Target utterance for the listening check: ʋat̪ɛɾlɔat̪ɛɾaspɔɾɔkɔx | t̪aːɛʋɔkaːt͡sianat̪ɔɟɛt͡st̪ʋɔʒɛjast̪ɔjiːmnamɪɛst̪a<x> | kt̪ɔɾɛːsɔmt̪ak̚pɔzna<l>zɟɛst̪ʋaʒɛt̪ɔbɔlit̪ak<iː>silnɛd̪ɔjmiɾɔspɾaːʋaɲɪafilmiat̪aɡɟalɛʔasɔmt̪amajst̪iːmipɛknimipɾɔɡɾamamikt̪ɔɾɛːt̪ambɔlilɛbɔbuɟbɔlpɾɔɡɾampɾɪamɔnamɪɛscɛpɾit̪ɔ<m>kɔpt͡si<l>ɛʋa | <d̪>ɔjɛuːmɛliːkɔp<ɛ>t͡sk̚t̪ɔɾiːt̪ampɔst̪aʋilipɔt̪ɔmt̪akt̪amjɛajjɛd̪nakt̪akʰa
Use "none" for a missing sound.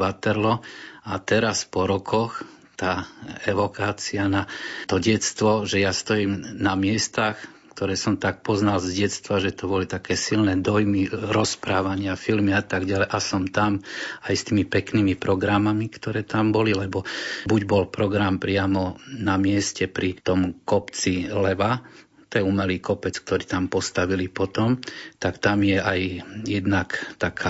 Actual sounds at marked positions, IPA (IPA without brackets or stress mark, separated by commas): x, l, ɛː, m, l, t̪, ɛ